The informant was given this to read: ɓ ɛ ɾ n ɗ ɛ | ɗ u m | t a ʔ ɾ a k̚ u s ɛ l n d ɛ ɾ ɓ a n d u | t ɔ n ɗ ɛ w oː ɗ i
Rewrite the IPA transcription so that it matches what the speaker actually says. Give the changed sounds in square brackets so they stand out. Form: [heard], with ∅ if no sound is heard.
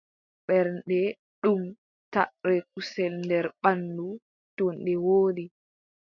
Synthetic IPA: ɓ ɛ ɾ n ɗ ɛ | ɗ u m | t a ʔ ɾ [ɛ] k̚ u s ɛ l n d ɛ ɾ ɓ a n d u | t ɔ n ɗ ɛ w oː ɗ i